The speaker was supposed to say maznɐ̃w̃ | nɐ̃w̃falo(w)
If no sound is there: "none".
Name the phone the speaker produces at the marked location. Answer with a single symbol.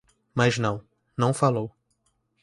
w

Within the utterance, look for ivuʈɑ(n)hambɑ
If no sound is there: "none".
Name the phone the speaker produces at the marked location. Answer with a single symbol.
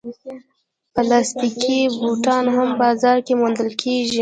n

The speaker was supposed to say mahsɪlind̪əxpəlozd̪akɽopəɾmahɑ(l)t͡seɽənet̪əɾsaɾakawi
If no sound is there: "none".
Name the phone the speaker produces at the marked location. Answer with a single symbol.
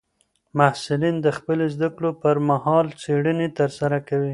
l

